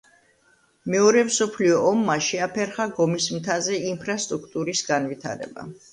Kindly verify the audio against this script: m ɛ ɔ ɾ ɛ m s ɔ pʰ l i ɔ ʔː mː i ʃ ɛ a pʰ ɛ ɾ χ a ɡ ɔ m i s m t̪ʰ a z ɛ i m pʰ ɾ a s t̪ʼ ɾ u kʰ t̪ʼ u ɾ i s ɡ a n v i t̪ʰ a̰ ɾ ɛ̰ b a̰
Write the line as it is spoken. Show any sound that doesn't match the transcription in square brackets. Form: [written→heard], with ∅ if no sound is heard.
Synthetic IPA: m ɛ ɔ ɾ ɛ m s ɔ pʰ l i ɔ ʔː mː [i→a] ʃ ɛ a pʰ ɛ ɾ χ a ɡ ɔ m i s m t̪ʰ a z ɛ i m pʰ ɾ a s t̪ʼ ɾ u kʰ t̪ʼ u ɾ i s ɡ a n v i t̪ʰ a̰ ɾ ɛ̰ b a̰